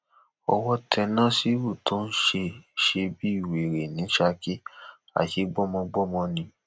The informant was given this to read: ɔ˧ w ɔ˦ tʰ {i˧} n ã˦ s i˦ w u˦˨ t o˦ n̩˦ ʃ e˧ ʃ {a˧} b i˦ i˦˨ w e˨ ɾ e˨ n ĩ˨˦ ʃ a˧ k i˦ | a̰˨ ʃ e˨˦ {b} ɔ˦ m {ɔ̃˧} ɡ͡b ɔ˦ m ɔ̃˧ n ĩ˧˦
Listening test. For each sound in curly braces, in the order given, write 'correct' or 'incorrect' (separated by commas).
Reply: incorrect, incorrect, incorrect, correct